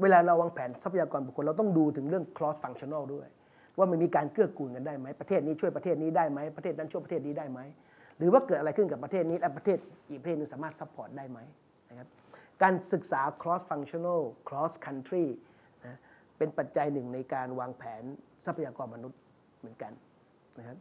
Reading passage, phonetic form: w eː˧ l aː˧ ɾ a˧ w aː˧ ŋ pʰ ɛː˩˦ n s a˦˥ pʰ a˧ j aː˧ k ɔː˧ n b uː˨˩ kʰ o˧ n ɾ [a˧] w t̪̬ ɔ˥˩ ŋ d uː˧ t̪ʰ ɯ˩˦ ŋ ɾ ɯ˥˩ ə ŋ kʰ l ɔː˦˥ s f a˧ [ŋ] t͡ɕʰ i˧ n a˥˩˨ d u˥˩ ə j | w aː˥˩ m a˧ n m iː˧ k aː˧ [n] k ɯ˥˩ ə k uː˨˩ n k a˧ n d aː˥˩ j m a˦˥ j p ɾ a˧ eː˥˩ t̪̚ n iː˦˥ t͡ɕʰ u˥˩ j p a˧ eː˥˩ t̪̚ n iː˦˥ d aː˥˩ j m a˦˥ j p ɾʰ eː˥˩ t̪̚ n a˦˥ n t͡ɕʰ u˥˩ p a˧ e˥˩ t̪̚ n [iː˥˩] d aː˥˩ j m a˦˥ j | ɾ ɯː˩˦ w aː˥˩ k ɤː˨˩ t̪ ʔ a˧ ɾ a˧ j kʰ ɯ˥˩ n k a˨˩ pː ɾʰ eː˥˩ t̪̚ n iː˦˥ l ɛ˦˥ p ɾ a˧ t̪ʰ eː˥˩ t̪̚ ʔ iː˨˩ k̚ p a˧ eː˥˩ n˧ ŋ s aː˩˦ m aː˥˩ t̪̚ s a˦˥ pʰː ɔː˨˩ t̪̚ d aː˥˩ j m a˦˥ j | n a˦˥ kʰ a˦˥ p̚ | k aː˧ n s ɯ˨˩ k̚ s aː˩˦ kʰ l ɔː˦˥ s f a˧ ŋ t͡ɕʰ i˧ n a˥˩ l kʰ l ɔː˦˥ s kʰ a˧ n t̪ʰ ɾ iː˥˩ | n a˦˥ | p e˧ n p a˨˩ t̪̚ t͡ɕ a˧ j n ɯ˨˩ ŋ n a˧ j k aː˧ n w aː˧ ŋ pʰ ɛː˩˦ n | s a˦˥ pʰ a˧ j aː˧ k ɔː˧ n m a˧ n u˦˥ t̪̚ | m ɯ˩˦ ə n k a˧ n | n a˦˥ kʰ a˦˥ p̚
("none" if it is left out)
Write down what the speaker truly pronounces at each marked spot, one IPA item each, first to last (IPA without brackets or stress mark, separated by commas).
a˧, ŋ, n, iː˦˥